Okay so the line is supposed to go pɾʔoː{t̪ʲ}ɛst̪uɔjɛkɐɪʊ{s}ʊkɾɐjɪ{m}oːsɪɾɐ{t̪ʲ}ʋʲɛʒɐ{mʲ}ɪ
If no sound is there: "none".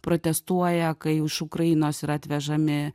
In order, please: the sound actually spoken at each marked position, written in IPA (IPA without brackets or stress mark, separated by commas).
t̪ʲ, ʃ, n, t̪ʲ, mʲ